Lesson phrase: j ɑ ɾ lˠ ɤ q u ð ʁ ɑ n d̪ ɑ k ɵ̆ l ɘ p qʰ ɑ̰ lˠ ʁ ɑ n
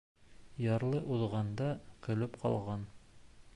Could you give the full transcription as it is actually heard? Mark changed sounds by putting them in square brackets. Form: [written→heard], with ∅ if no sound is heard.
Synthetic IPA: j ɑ ɾ lˠ ɤ [q→ʔ] u ð ʁ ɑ n d̪ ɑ k ɵ̆ l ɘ p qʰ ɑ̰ lˠ ʁ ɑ n